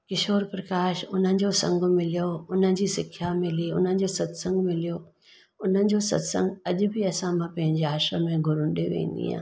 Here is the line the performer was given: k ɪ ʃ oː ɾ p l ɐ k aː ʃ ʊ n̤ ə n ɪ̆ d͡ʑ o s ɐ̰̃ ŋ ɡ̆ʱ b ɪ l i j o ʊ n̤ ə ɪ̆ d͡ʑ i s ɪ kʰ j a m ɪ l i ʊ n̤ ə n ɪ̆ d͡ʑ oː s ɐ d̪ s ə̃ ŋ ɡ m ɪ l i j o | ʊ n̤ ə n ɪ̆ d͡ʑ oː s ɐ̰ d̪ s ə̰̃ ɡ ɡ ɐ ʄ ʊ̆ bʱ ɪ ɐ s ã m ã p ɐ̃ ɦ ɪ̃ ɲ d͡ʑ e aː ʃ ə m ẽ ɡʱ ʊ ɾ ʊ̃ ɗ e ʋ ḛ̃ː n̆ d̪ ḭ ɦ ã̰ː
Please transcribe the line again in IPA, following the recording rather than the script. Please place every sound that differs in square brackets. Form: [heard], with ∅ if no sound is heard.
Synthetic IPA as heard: k ɪ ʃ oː ɾ p [ɾ] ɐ k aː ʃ ʊ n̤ ə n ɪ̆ d͡ʑ o s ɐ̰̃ ŋ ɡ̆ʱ [m] ɪ l i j o ʊ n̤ ə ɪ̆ d͡ʑ i s ɪ kʰ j a m ɪ l i ʊ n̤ ə n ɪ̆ d͡ʑ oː s ɐ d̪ s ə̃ ŋ ɡ m ɪ l i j o | ʊ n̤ ə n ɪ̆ d͡ʑ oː s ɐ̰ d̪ s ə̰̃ [ŋ] ɡ ɐ ʄ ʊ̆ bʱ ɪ ɐ s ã m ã p ɐ̃ ɦ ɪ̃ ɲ d͡ʑ e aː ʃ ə m ẽ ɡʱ ʊ ɾ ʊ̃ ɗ e ʋ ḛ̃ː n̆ d̪ ḭ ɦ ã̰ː